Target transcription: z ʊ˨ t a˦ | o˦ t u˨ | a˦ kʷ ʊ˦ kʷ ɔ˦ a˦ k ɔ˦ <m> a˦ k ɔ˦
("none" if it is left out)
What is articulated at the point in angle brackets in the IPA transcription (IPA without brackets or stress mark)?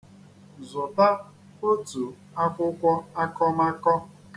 m